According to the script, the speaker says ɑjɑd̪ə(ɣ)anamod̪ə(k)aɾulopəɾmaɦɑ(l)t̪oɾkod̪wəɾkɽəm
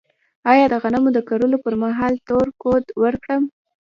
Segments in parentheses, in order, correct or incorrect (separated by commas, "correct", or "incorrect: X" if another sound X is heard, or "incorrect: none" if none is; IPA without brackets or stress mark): correct, correct, correct